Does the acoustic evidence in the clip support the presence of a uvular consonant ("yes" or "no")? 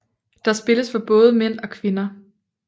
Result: no